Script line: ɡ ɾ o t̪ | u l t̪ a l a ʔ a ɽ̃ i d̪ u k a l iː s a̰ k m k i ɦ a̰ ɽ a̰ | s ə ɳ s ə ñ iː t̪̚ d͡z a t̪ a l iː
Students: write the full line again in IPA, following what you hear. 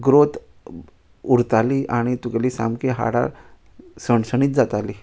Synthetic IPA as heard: ɡ ɾ o t̪ | u ɾ t̪ a l i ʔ a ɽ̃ i t̪ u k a l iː s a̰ m k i ɦ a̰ ɽ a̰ | s ə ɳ s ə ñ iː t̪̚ d͡z a t̪ a l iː